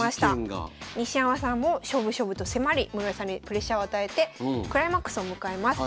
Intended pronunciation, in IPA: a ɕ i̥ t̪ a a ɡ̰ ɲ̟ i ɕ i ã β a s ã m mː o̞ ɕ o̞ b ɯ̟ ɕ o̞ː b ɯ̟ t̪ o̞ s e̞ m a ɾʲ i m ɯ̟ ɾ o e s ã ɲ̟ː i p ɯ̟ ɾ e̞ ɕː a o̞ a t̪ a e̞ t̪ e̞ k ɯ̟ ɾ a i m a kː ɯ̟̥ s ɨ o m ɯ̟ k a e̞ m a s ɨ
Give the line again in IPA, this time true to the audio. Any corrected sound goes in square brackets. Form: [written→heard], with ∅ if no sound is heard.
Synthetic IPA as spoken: a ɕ i̥ t̪ a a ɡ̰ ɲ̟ i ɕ i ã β a s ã m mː o̞ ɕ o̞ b ɯ̟ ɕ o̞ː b ɯ̟ t̪ o̞ s e̞ m a ɾʲ i m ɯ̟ ɾ o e s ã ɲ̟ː i p ɯ̟ ɾ e̞ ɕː a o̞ a t̪ a e̞ t̪ e̞ k ɯ̟ ɾ a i m a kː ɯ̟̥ s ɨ o m ɯ̟ k a e̞ m a s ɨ